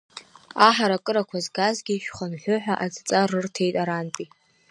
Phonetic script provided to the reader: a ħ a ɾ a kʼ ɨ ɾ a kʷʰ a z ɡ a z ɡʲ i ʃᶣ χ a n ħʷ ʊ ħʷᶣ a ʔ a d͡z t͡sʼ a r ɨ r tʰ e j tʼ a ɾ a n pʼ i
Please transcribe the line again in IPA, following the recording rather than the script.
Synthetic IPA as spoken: a ħ a ɾ a kʼ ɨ ɾ a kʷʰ a z ɡ a z ɡʲ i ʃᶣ χ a n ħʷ ʊ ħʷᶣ a ʔ a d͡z t͡sʼ a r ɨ r tʰ e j tʼ a ɾ a n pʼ i

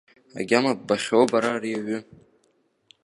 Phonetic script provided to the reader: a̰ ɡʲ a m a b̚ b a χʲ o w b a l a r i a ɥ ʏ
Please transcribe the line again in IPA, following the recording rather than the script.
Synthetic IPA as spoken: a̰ ɡʲ a m a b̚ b a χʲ o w b a ɾ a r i a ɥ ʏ

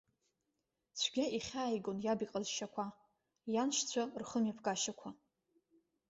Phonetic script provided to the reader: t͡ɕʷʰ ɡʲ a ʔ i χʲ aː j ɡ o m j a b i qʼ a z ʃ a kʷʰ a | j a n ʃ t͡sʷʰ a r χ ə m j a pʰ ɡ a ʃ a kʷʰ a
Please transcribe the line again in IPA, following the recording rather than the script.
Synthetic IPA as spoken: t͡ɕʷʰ ɡʲ a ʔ i χʲ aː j ɡ o n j a b i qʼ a z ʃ a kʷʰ a | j a n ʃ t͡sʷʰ a r χ ə m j a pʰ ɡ a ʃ a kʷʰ a

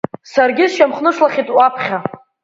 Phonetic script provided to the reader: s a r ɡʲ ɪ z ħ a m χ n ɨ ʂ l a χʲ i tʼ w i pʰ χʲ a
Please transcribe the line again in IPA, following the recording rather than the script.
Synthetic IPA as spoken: s a r ɡʲ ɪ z ʃ a m χ n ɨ ʂ l a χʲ i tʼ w a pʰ χʲ a

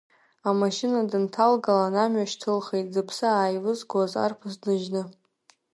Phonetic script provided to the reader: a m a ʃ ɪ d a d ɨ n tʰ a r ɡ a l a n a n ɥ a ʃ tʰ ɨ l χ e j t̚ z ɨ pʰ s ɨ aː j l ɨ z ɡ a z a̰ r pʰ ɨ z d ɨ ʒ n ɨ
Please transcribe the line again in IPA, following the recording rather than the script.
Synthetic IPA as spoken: a m a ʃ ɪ n a d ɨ n tʰ a l ɡ a l a n a m ɥ a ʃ tʰ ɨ l χ e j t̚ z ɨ pʰ s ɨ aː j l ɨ z ɡ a z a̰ r pʰ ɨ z d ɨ ʒ n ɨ

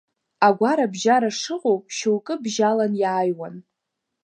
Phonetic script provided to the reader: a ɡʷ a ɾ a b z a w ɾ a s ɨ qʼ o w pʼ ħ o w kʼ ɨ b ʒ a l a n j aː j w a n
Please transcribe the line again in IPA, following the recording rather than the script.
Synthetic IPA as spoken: a ɡʷ a ɾ a b ʒ a ɾ a ʂ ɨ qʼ o w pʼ ʃ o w kʼ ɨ b ʒ a l a n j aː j w a n

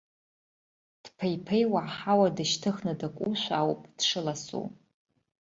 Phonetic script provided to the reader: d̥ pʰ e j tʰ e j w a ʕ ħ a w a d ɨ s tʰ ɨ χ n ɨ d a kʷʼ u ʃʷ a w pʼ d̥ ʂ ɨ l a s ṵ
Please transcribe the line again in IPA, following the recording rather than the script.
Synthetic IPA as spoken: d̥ pʰ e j pʰ e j w a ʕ ħ a w a d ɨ ʃ tʰ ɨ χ n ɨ d a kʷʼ u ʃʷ a w pʼ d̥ ʂ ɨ l a s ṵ

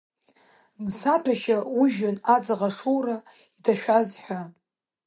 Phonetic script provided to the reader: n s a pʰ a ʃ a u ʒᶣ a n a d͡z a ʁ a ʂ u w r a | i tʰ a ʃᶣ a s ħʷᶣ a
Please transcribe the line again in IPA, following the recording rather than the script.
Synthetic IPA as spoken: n s a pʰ a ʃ a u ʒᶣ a n a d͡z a ʁ a ʂ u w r a | i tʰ a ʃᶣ a z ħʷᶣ a

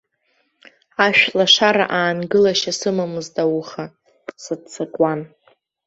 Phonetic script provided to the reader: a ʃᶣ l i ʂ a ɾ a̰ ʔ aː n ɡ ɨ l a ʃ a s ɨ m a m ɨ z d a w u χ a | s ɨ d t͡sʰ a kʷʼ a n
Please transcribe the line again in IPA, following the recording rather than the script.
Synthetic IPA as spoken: a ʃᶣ l a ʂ a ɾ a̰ ʔ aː n ɡ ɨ l a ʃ a s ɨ m a m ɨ z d a w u χ a | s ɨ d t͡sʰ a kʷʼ a n

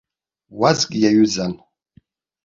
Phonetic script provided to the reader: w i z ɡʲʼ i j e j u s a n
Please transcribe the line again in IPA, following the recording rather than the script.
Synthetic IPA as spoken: w a z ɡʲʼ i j a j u z a n

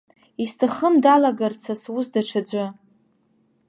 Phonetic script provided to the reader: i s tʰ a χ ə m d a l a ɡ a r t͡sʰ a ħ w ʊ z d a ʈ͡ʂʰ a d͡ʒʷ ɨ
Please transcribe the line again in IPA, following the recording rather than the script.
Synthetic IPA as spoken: i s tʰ a χ ə m d a l a ɡ a r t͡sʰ a s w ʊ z d a ʈ͡ʂʰ a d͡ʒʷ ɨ

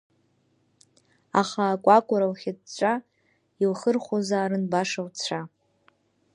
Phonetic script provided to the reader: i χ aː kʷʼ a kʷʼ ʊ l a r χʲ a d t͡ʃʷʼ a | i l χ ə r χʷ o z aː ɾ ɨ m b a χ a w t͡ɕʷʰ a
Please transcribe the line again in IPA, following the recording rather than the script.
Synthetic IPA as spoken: a χ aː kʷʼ a kʷʼ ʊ ɾ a l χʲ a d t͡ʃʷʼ a | i l χ ə r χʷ o z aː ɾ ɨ n b a ʂ a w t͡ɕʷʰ a

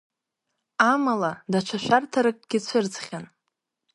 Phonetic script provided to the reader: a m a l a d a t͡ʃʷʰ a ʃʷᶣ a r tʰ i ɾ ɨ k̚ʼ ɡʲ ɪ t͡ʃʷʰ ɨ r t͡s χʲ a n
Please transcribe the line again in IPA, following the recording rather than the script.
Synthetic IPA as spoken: a m a l a d a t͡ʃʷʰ a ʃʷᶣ a r tʰ a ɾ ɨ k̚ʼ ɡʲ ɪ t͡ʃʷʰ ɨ r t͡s χʲ a n

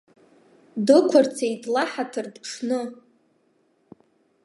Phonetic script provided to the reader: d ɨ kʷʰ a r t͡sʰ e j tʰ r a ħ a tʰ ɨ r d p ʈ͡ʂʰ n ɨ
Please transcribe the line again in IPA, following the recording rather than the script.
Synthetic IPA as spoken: d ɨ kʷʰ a r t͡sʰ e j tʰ l a ħ a tʰ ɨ r d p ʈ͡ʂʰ n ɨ

